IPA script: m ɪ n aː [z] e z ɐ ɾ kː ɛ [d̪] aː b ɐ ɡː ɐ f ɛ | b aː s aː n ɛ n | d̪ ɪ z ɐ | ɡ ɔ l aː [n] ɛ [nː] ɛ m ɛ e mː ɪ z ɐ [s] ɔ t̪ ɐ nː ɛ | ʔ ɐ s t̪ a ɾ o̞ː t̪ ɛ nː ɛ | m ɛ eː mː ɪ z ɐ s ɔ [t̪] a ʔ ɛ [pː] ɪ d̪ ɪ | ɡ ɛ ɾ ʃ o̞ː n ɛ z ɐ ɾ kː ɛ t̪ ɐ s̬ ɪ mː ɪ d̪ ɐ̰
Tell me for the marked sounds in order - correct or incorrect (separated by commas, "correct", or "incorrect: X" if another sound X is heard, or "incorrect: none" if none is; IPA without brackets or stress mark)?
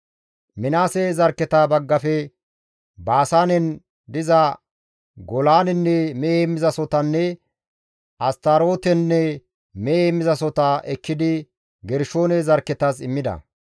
incorrect: s, incorrect: t̪, correct, correct, correct, correct, incorrect: kː